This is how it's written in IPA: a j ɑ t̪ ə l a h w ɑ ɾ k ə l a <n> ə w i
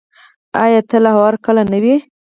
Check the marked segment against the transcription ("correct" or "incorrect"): correct